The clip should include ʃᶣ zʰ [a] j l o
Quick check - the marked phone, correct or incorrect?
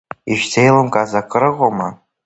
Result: incorrect